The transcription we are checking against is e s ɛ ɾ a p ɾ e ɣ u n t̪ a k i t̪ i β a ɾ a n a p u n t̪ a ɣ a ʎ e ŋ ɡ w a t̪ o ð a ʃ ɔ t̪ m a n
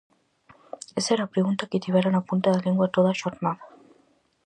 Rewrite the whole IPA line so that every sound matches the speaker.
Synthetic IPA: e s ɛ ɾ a p ɾ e ɣ u n t̪ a k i t̪ i β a ɾ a n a p u n t̪ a ð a ʎ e ŋ ɡ w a t̪ o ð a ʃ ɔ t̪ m a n